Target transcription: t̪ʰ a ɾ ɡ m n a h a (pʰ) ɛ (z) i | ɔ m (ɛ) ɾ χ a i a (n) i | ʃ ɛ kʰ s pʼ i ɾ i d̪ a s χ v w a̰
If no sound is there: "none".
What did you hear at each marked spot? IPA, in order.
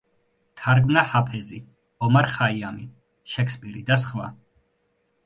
pʰ, z, a, m

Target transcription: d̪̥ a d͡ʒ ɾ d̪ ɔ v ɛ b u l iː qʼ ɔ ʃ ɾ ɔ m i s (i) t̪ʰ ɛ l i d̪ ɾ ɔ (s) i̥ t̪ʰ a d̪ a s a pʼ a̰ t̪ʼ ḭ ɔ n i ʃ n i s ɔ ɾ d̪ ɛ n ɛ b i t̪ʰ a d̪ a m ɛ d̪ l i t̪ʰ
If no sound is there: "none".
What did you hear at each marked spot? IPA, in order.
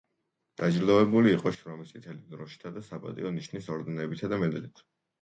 i, ʃ

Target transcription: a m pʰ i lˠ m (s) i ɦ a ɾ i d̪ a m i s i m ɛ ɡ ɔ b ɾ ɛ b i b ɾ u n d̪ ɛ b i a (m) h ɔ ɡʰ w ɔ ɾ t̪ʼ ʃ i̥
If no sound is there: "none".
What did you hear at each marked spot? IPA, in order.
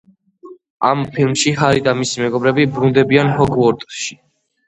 ʃ, n

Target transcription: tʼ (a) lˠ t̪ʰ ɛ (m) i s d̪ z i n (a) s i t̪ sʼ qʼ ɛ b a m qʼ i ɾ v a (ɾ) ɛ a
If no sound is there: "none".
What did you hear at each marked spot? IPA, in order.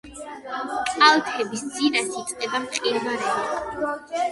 a, b, a, ɾ

